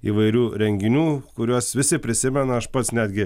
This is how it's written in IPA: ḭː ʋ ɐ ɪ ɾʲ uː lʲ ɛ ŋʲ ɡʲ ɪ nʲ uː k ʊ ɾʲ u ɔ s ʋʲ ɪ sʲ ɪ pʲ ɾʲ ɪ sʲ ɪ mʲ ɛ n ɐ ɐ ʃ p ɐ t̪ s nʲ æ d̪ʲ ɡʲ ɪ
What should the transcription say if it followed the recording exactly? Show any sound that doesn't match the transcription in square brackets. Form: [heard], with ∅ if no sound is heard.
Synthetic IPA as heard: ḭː ʋ ɐ ɪ ɾʲ uː [ɾʲ] ɛ ŋʲ ɡʲ ɪ nʲ uː k ʊ ɾʲ u ɔ s ʋʲ ɪ sʲ ɪ pʲ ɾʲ ɪ sʲ ɪ mʲ ɛ n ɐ ɐ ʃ p ɐ t̪ s nʲ æ d̪ʲ ɡʲ ɪ